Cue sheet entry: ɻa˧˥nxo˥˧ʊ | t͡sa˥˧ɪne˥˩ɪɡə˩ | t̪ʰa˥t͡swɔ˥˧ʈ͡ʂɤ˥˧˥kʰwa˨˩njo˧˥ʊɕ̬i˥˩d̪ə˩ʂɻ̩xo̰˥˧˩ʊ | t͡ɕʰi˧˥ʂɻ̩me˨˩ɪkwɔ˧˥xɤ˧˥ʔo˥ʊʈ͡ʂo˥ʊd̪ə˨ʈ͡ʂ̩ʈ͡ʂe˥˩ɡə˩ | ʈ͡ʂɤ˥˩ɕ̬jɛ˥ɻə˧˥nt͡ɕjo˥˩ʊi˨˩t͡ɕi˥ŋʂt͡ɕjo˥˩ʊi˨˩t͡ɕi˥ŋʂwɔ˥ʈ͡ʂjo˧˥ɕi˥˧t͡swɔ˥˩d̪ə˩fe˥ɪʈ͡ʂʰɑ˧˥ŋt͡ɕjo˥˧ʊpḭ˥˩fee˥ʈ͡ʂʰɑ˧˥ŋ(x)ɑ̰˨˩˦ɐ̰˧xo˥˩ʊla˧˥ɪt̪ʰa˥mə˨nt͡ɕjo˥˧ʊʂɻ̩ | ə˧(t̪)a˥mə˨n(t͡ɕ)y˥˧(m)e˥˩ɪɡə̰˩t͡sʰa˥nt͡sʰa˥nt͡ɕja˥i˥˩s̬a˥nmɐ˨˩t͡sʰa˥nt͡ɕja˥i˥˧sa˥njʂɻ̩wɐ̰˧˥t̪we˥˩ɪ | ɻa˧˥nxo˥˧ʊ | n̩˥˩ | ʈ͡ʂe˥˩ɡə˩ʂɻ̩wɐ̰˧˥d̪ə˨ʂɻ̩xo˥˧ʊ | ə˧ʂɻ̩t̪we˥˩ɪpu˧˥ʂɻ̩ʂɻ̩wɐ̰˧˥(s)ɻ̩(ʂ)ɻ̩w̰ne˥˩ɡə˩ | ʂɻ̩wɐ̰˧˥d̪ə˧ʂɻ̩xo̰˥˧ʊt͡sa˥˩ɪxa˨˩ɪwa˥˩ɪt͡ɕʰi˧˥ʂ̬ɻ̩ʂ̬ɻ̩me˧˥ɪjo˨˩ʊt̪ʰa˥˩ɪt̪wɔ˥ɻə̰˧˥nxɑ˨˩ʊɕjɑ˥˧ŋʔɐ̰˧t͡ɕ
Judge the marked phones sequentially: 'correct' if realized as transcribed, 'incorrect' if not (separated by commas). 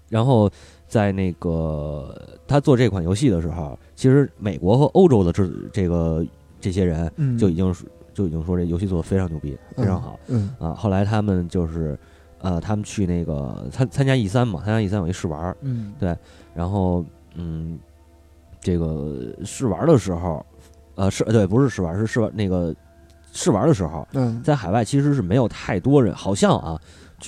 correct, incorrect, incorrect, incorrect, incorrect, correct